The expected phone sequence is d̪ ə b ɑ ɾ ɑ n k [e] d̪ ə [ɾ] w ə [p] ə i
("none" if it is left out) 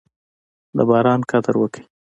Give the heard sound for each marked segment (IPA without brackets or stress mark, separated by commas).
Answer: a, ɾ, k